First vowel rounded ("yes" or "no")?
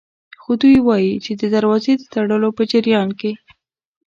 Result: yes